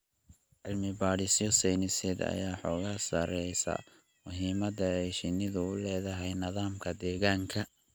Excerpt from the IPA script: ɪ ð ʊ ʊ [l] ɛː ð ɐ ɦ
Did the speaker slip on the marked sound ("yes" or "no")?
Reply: no